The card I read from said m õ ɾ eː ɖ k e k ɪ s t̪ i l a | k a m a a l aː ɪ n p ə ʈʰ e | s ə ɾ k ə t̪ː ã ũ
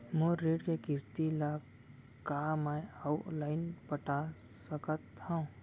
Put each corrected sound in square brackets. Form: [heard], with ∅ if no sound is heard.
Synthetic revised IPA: m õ ɾ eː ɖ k e k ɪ s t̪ i l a | k a m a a l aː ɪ n p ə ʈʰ [a] | s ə [∅] k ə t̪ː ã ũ